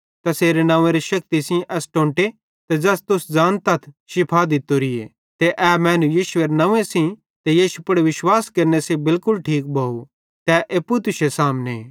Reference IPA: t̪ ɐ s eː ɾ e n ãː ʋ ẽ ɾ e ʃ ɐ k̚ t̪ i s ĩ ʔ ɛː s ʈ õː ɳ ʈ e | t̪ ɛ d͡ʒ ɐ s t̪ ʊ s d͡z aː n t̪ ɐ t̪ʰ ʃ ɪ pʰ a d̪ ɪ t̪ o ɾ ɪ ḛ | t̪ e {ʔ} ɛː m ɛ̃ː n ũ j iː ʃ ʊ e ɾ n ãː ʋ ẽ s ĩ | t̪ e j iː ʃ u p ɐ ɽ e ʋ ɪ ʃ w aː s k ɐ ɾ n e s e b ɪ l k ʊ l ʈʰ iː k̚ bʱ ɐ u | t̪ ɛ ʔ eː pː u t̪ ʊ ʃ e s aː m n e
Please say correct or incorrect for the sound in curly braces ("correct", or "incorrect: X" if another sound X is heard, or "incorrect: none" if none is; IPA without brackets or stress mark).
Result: correct